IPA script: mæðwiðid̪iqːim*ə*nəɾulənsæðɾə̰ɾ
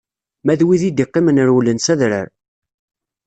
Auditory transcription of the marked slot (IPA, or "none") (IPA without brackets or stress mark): ə